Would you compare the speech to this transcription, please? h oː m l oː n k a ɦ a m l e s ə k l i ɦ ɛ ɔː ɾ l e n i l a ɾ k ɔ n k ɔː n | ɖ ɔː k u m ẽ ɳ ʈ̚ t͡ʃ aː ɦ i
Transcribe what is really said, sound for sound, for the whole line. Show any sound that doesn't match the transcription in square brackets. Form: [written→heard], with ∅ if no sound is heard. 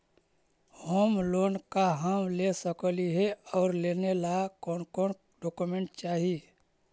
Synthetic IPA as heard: h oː m l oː n k a ɦ a m l e s ə k l i ɦ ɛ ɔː ɾ l e n [i→e] l a [ɾ→∅] k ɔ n k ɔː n | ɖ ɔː k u m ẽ ɳ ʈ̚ t͡ʃ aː ɦ i

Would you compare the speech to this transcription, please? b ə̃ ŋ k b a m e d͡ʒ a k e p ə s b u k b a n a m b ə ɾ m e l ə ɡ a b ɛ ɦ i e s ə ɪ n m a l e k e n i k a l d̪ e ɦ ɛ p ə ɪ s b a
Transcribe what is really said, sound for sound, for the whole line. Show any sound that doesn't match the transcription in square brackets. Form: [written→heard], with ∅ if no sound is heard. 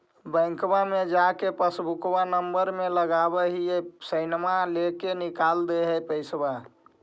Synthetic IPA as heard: b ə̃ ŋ k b a m e d͡ʒ a k e p ə s b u k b a n [a→ə] m b ə ɾ m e l ə ɡ a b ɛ ɦ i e s ə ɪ n m a l e k e n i k a l d̪ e ɦ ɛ p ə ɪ s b a

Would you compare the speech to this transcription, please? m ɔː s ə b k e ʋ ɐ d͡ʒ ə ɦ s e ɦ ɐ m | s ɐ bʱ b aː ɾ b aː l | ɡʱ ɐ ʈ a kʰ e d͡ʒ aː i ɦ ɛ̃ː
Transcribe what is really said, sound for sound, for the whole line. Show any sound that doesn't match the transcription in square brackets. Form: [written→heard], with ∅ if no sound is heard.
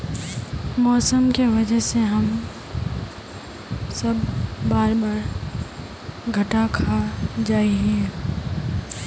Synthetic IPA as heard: m ɔː s ə [b→m] k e ʋ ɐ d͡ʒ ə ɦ s e ɦ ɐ m | s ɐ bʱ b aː ɾ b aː [l→ɾ] | ɡʱ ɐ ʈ a kʰ [e→a] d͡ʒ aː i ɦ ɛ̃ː

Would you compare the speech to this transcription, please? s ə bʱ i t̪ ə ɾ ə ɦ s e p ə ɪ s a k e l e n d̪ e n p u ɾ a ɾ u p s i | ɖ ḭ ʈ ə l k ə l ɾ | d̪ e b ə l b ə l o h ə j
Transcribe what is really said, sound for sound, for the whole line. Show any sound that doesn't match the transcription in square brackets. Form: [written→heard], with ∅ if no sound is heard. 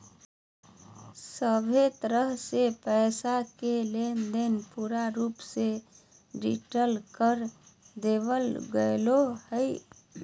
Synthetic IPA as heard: s ə bʱ [i→e] t̪ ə ɾ ə ɦ s e p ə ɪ s a k e l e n d̪ e n p u ɾ a ɾ u p s [i→e] | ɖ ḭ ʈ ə l k ə [l→∅] ɾ | d̪ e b ə l [b→ɡ] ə l o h ə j

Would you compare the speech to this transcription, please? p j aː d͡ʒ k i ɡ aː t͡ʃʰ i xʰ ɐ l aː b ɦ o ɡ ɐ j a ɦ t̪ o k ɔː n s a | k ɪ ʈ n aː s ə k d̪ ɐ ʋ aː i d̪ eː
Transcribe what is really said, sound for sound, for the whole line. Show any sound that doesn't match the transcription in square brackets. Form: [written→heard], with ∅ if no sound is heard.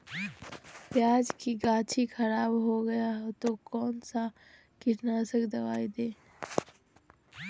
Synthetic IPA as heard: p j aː d͡ʒ k i ɡ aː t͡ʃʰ i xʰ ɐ [l→ɾ] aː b ɦ o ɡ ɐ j a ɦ t̪ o k ɔː n s a | k ɪ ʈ n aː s ə k d̪ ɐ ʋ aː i d̪ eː

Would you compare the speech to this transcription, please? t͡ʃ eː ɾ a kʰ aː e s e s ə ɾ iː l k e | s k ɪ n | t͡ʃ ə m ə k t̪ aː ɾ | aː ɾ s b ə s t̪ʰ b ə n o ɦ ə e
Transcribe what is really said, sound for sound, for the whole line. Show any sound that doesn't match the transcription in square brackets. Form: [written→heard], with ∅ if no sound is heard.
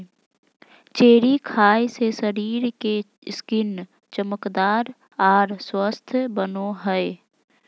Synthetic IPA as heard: t͡ʃ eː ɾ [a→i] kʰ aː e s e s ə ɾ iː [l→ɾ] k e | s k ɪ n | t͡ʃ ə m ə k [t̪→d̪] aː ɾ | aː ɾ s [b→w] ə s t̪ʰ b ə n o ɦ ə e

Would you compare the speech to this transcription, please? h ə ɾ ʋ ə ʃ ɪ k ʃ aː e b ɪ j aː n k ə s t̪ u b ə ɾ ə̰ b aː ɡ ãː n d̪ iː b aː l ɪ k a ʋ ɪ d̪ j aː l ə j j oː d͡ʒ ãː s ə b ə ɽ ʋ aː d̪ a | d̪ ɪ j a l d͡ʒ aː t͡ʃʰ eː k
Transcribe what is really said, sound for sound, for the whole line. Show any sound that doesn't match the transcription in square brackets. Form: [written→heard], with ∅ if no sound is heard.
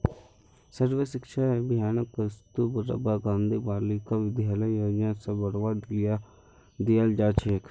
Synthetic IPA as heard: [h→s] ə ɾ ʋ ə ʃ ɪ k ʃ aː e b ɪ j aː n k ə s t̪ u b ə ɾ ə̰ b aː ɡ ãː n d̪ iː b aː l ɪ k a ʋ ɪ d̪ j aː l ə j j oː d͡ʒ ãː s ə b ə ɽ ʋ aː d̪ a | d̪ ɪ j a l d͡ʒ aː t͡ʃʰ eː k

